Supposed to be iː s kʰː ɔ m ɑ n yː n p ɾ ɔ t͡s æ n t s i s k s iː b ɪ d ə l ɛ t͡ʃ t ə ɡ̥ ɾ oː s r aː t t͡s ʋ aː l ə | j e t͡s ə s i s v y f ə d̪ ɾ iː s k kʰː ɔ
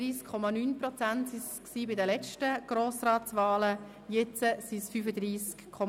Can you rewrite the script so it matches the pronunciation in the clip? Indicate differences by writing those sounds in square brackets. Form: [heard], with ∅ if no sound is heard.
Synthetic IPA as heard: iː s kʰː ɔ m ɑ n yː n p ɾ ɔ t͡s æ n t s i s k s iː b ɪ d ə l ɛ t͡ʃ t ə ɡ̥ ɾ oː s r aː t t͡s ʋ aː l ə | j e t͡s ə s i s [f] y f ə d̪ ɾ iː s k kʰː ɔ